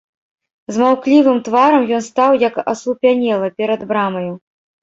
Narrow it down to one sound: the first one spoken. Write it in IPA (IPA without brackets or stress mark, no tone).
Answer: z